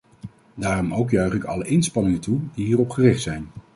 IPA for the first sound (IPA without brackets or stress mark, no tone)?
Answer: d